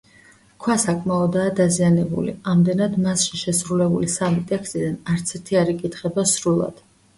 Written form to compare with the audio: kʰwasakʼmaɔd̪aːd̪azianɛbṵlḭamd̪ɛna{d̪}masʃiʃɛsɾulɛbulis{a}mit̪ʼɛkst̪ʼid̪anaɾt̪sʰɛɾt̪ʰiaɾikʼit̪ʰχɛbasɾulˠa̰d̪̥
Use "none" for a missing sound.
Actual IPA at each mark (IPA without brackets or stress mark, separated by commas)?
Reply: d̪, a